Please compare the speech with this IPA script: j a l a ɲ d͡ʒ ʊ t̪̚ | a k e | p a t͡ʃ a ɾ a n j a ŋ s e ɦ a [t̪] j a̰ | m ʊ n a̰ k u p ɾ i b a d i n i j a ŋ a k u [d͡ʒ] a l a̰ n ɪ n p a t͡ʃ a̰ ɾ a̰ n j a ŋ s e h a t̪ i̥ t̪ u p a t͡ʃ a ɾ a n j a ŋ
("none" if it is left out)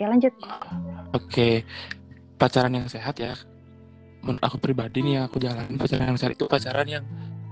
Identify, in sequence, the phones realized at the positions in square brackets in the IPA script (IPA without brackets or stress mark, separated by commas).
t̪, d͡ʒ